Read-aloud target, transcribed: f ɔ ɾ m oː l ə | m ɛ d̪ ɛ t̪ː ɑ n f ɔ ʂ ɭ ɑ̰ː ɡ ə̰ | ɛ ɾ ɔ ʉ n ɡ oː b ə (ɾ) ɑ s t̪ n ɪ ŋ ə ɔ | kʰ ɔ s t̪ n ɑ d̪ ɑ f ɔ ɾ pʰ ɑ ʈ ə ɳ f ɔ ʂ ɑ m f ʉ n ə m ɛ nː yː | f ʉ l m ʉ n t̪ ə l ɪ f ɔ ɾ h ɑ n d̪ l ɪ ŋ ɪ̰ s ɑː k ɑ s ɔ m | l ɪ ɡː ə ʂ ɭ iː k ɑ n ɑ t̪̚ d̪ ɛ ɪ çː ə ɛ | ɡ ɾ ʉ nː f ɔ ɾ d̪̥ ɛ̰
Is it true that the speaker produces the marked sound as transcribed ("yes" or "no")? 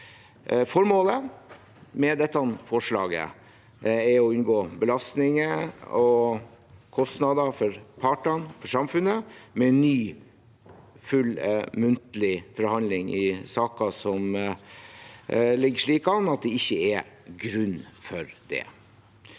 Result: no